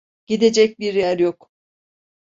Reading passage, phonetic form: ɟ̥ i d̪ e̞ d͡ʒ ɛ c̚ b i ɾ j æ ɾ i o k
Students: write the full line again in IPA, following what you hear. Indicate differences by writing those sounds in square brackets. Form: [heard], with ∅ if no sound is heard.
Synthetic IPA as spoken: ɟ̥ i d̪ e̞ d͡ʒ ɛ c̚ b i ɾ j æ ɾ [j] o k